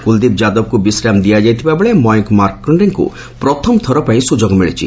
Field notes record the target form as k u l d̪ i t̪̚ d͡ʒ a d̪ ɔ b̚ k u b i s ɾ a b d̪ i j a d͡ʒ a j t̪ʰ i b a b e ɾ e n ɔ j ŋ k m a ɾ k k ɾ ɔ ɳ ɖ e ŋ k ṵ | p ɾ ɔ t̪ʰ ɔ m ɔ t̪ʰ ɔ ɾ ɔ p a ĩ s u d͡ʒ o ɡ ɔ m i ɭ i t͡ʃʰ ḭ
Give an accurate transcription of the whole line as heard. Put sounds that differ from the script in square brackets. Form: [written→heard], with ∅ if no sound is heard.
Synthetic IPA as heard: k u l d̪ i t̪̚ d͡ʒ a d̪ ɔ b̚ k u b i s ɾ a [b→m] d̪ i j a d͡ʒ a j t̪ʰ i b a b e [ɾ→ɭ] e [n→m] ɔ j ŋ k m a ɾ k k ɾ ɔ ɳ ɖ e ŋ k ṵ | p ɾ ɔ t̪ʰ ɔ m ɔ t̪ʰ ɔ ɾ ɔ p a ĩ s u d͡ʒ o ɡ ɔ m i ɭ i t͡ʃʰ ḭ

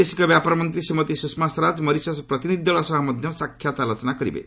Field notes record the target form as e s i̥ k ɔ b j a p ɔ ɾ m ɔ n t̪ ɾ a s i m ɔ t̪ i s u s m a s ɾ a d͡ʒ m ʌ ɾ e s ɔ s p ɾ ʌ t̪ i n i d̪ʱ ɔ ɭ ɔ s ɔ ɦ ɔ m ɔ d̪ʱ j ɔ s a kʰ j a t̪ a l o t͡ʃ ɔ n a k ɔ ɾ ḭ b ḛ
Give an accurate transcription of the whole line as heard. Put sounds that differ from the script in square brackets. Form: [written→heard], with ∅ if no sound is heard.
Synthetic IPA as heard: e s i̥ k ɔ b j a p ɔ ɾ m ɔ n t̪ ɾ [a→i] s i m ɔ t̪ i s u s m a s ɾ a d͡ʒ m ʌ ɾ [e→i] s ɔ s p ɾ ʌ t̪ i n i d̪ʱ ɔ ɭ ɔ s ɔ ɦ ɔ m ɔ d̪ʱ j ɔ s a kʰ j a t̪ a l o t͡ʃ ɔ n a k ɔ ɾ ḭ b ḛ

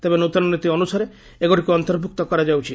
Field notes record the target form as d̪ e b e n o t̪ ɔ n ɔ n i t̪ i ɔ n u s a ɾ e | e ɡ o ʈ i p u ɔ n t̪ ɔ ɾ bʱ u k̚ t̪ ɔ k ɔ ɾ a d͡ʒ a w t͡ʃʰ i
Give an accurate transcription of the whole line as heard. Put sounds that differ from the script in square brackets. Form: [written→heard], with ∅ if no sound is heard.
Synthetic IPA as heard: [d̪→t̪] e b e n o t̪ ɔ n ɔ n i t̪ i ɔ n u s a ɾ e | e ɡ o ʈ i [p→k] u ɔ n t̪ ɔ ɾ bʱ u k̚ t̪ ɔ k ɔ ɾ a d͡ʒ a w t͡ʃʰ i

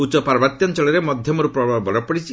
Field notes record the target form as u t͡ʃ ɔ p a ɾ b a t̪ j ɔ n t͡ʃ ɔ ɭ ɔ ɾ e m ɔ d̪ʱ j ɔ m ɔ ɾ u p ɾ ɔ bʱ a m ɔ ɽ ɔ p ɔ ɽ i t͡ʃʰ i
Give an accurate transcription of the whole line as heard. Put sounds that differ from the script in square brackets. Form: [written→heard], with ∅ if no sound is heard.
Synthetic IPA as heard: u t͡ʃ ɔ p a ɾ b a t̪ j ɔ n t͡ʃ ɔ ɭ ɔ ɾ e m ɔ d̪ʱ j ɔ m ɔ ɾ u p ɾ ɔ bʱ a [m→b] ɔ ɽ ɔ p ɔ ɽ i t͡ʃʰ i

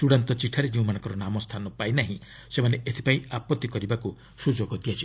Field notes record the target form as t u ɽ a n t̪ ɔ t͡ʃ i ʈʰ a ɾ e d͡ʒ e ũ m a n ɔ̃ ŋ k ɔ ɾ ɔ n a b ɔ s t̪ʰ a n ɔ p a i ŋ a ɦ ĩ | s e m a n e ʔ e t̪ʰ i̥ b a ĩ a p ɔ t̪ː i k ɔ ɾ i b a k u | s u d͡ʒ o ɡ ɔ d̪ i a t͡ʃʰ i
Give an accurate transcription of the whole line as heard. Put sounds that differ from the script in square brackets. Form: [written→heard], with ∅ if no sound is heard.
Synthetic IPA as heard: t u ɽ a n t̪ ɔ t͡ʃ i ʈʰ a ɾ e d͡ʒ e ũ m a n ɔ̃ ŋ k ɔ ɾ ɔ n a [b→m] ɔ s t̪ʰ a n ɔ p a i [ŋ→n] a ɦ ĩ | s e m a n e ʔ e t̪ʰ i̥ [b→p] a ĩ a p ɔ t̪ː i k ɔ ɾ i b a k u | s u d͡ʒ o ɡ ɔ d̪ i a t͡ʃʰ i

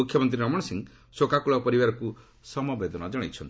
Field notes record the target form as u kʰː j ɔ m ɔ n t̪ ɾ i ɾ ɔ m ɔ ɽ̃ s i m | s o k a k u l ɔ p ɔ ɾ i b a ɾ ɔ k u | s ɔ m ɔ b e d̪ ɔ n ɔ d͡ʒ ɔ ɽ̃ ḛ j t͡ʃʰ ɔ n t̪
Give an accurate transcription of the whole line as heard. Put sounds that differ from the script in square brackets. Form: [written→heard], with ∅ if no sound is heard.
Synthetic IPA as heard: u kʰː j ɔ m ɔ n t̪ ɾ i ɾ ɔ m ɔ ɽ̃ s i [m→ŋ] | s o k a k u [l→ɭ] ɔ p ɔ ɾ i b a ɾ ɔ k u | s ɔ m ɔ b e d̪ ɔ n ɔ d͡ʒ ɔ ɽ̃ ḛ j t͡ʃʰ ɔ n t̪

